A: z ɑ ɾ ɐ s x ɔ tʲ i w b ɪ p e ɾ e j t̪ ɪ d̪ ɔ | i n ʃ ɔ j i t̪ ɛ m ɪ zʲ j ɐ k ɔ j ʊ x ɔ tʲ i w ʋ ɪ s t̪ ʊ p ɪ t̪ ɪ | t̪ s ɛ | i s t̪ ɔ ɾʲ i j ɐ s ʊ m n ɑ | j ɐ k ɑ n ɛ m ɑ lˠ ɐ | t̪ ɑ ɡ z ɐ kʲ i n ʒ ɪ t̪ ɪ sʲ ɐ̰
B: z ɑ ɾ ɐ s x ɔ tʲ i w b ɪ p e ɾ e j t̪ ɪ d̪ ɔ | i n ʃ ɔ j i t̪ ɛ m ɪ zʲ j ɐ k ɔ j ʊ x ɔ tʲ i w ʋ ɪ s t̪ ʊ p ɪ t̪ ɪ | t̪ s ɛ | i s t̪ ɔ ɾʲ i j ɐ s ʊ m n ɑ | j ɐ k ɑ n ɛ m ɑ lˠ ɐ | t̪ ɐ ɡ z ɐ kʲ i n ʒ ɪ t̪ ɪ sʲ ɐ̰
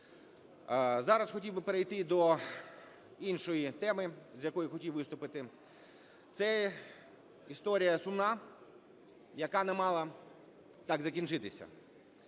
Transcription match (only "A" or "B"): A